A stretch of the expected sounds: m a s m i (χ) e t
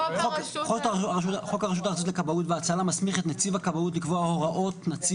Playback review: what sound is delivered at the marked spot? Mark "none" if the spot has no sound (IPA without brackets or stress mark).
χ